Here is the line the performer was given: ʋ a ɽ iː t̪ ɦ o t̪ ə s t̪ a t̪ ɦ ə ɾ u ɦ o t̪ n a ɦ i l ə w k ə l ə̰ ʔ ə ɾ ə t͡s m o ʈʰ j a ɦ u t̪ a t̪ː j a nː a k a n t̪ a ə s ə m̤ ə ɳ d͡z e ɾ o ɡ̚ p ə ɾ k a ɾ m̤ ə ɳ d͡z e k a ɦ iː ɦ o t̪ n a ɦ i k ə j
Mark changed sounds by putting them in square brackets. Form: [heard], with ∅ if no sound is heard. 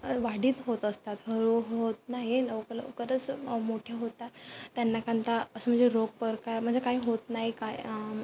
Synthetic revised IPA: ʋ a ɽ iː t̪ ɦ o t̪ ə s t̪ a t̪ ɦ ə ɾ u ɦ o t̪ n a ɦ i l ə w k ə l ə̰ [k] ə ɾ ə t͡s m o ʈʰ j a ɦ [o] t̪ a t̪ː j a nː a k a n t̪ a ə s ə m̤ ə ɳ d͡z e ɾ o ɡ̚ p ə ɾ k a ɾ m̤ ə ɳ d͡z e k a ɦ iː ɦ o t̪ n a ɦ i k [a] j